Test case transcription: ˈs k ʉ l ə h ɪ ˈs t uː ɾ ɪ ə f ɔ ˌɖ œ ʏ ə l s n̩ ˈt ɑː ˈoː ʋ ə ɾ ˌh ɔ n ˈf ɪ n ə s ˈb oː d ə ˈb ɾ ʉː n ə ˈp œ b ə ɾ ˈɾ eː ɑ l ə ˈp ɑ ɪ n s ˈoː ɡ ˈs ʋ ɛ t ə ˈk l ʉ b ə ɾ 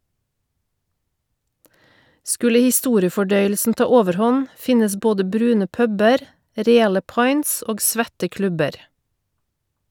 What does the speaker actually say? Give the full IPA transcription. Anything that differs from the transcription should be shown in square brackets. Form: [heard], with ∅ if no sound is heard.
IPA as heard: ˈs k ʉ l ə h ɪ ˈs t uː ɾ ɪ ə f ɔ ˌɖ œ ʏ ə l s n̩ ˈt ɑː ˈoː ʋ ə ɾ ˌh ɔ n ˈf ɪ n ə s ˈb oː d ə ˈb ɾ ʉː n ə ˈp œ b ə ɾ ˈɾ eː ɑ l ə ˈp ɑ ɪ n s ˈoː ɡ ˈs ʋ ɛ t ə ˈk l ʉ b ə ɾ

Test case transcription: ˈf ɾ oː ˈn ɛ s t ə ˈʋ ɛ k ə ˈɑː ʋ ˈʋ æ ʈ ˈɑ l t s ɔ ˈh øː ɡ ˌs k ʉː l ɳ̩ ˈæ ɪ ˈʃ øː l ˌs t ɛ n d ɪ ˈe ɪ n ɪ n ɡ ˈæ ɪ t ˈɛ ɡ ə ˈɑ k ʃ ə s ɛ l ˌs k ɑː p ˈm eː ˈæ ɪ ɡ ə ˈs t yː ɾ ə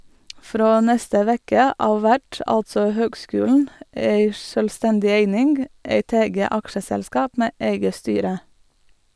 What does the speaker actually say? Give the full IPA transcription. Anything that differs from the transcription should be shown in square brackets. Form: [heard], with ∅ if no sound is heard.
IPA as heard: ˈf ɾ oː ˈn ɛ s t ə ˈʋ ɛ k ə ˈɑː ʋ ˈʋ æ ʈ ˈɑ l t s ɔ ˈh øː ɡ ˌs k ʉː l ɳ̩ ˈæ ɪ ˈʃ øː l ˌs t ɛ n d ɪ ˈe ɪ n ɪ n ɡ ˈæ ɪ t ˈɛ ɡ ə ˈɑ k ʃ ə s ɛ l ˌs k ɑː p ˈm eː ˈæ ɪ ɡ ə ˈs t yː ɾ ə

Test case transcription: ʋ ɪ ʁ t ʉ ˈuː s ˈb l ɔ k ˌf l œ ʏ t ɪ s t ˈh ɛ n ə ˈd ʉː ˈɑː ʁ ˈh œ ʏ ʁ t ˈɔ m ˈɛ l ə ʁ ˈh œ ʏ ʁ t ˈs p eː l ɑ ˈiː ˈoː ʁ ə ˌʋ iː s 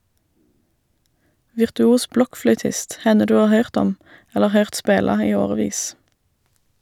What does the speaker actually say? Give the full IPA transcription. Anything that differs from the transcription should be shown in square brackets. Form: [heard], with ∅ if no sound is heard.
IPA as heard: ʋ ɪ ʁ t ʉ ˈuː s ˈb l ɔ k ˌf l œ ʏ t ɪ s t ˈh ɛ n ə ˈd ʉː ˈɑː ʁ ˈh œ ʏ ʁ t ˈɔ m ˈɛ l ə ʁ ˈh œ ʏ ʁ t ˈs p eː l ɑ ˈiː ˈoː ʁ ə ˌʋ iː s

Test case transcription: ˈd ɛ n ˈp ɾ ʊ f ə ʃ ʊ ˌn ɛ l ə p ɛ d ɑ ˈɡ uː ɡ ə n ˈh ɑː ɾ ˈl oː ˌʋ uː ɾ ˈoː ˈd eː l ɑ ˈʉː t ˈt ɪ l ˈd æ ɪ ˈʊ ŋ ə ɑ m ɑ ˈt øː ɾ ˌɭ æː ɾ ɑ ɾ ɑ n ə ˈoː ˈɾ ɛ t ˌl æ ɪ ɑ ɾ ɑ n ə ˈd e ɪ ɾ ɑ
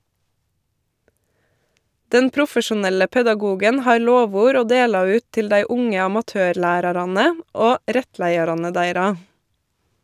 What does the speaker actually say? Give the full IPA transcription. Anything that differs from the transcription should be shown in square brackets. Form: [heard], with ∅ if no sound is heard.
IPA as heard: ˈd ɛ n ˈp ɾ ʊ f ə ʃ ʊ ˌn ɛ l ə p ɛ d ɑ ˈɡ uː ɡ ə n ˈh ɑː ɾ ˈl oː ˌʋ uː ɾ ˈoː ˈd eː l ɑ ˈʉː t ˈt ɪ l ˈd æ ɪ ˈʊ ŋ ə ɑ m ɑ ˈt øː ɾ ˌɭ æː ɾ ɑ ɾ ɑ n ə ˈoː ˈɾ ɛ t ˌl æ ɪ ɑ ɾ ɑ n ə ˈd [æ] ɪ ɾ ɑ

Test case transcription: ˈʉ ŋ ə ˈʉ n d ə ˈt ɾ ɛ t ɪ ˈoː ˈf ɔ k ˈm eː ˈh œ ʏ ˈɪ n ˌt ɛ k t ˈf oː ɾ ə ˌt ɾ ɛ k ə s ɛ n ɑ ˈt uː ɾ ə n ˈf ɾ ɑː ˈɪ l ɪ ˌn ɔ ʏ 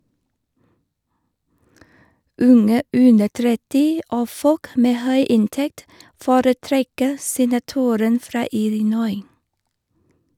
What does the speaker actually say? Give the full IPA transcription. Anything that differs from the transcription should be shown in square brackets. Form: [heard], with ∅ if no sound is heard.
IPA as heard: ˈʉ ŋ ə ˈʉ n d ə ˈt ɾ ɛ t ɪ ˈoː ˈf ɔ k ˈm eː ˈh œ ʏ ˈɪ n ˌt ɛ k t ˈf oː ɾ ə ˌt ɾ ɛ k ə s ɛ n ɑ ˈt uː ɾ ə n ˈf ɾ ɑː ˈɪ l ɪ ˌn ɔ ʏ

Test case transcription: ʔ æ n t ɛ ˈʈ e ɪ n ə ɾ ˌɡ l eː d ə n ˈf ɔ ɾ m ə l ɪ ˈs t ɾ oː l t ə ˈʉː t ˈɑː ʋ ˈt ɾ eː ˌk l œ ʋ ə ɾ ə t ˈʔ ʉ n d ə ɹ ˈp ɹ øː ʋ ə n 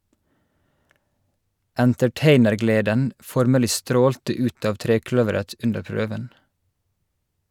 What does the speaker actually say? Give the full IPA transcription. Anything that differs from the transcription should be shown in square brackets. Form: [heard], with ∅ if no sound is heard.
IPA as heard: ʔ æ n t ɛ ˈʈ e ɪ n ə ɾ ˌɡ l eː d ə n ˈf ɔ ɾ m ə l ɪ ˈs t ɾ oː l t ə ˈʉː t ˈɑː ʋ ˈt ɾ eː ˌk l œ ʋ ə ɾ ə t ˈʔ ʉ n d ə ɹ ˈp ɹ øː ʋ ə n

